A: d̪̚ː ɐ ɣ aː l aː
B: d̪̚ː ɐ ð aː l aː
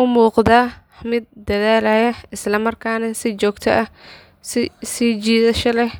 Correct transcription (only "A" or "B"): B